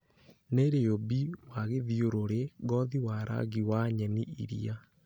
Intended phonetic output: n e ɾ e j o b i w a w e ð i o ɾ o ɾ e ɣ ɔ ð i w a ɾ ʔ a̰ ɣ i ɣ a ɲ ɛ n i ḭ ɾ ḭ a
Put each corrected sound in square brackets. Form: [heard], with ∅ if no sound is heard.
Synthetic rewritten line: n e ɾ e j o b i w a [ɣ] e ð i o ɾ o ɾ e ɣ ɔ ð i w a ɾ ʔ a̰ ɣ i [w] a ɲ ɛ n i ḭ ɾ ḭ a